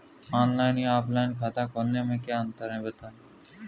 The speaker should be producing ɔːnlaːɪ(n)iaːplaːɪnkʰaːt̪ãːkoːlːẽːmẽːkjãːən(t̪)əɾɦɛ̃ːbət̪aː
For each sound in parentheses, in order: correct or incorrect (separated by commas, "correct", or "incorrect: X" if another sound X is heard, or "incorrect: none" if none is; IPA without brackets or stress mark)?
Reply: correct, correct